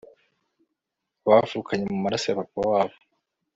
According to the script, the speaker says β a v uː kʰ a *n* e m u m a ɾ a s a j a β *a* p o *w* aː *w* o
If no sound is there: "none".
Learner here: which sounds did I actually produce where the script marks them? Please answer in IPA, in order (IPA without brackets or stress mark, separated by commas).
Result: ɲ, a, w, β